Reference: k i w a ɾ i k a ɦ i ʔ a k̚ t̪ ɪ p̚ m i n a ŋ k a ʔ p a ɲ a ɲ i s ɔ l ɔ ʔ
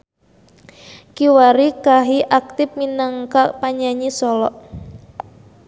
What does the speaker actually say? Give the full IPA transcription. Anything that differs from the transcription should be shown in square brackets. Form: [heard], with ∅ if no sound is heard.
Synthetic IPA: k i w a ɾ i k a ɦ i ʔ a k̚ t̪ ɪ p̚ m i n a ŋ k a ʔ p a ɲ a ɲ i s ɔ l ɔ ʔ

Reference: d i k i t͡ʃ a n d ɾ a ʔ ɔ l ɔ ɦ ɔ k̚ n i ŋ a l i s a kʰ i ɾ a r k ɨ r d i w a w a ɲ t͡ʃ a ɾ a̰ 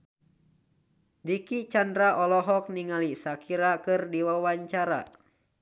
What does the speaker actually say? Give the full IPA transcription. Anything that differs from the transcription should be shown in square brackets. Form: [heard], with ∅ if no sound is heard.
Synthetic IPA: d i k i t͡ʃ a n d ɾ a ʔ ɔ l ɔ ɦ ɔ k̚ n i ŋ a l i s a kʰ i ɾ a [∅] k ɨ r d i w a w a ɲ t͡ʃ a ɾ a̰

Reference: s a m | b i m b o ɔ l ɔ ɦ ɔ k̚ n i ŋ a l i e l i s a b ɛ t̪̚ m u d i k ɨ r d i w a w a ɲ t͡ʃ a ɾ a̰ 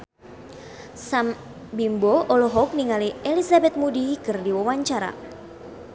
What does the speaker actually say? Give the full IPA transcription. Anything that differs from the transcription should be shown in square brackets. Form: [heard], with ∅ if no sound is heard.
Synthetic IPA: s a m | b i m b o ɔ l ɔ ɦ ɔ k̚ n i ŋ a l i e l i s a b ɛ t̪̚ m u d i k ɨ r d i w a w a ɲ t͡ʃ a ɾ a̰

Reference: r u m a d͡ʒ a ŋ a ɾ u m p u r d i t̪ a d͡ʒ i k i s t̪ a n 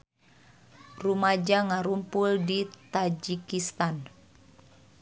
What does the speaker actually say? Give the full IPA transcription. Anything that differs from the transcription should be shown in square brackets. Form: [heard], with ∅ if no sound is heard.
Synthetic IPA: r u m a d͡ʒ a ŋ a ɾ u m p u [l] d i t̪ a d͡ʒ i k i s t̪ a n

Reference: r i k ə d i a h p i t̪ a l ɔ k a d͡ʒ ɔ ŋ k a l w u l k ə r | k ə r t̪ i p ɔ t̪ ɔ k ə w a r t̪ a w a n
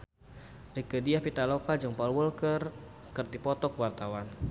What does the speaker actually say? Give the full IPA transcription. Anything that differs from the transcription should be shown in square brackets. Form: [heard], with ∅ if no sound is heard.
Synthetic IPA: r i k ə d i a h p i t̪ a l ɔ k a d͡ʒ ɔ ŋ [p] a l w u l k ə r | k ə r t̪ i p ɔ t̪ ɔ k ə w a r t̪ a w a n

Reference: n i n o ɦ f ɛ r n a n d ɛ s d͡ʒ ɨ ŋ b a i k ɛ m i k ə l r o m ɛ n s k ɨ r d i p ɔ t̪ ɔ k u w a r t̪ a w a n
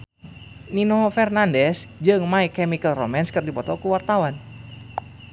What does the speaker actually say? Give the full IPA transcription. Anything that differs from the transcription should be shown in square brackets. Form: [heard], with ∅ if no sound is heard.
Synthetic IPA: n i n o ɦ f ɛ r n a n d ɛ s d͡ʒ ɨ ŋ [m] a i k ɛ m i k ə l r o m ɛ n s k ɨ r d i p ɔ t̪ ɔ k u w a r t̪ a w a n

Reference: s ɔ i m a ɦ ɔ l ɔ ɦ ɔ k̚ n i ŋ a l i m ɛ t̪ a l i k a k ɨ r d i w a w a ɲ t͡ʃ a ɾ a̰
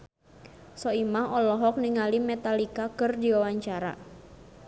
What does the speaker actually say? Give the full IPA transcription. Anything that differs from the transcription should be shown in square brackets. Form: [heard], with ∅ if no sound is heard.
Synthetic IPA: s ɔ i m a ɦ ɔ l ɔ ɦ ɔ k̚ n i ŋ a l i m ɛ t̪ a l i k a k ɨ r d i w a w a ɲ t͡ʃ a ɾ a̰

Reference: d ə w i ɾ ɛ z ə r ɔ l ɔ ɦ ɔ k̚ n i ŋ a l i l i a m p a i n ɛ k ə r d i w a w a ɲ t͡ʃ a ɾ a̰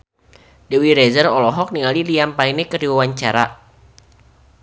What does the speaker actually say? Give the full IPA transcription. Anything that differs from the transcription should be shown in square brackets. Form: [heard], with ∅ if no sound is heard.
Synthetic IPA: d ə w i ɾ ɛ z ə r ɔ l ɔ ɦ ɔ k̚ n i ŋ a l i l i a m p a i n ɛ k ə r d i w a w a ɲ t͡ʃ a ɾ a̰

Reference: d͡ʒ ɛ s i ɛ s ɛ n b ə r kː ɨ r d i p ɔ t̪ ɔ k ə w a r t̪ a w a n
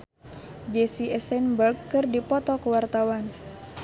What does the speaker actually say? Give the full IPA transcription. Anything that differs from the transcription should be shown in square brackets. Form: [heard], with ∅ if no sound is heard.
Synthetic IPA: d͡ʒ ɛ s i ɛ s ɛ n b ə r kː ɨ r d i p ɔ t̪ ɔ k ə w a r t̪ a w a n

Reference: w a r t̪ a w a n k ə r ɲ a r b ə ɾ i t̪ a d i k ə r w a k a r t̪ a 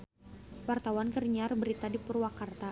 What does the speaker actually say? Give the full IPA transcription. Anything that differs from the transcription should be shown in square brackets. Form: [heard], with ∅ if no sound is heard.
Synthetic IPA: w a r t̪ a w a n k ə r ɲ a r b ə ɾ i t̪ a d i [p] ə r w a k a r t̪ a

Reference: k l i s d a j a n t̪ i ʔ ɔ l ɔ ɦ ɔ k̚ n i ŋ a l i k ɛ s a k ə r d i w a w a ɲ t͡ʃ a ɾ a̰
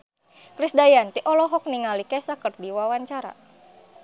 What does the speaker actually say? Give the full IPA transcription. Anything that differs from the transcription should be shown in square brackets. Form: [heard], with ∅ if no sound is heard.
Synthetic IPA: k [ɾ] i s d a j a n t̪ i ʔ ɔ l ɔ ɦ ɔ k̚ n i ŋ a l i k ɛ s a k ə r d i w a w a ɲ t͡ʃ a ɾ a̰

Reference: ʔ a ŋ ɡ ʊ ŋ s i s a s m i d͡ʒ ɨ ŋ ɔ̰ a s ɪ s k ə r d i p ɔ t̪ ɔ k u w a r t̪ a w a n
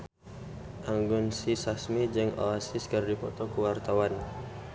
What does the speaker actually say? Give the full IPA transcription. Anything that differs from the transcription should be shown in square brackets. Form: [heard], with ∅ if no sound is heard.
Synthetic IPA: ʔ a ŋ ɡ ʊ [n] s i s a s m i d͡ʒ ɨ ŋ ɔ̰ a s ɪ s k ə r d i p ɔ t̪ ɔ k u w a r t̪ a w a n

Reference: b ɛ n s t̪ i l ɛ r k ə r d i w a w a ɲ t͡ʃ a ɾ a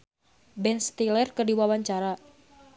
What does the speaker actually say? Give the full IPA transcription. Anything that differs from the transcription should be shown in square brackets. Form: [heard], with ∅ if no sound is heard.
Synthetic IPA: b ɛ n s t̪ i l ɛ r k ə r d i w a w a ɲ t͡ʃ a ɾ a

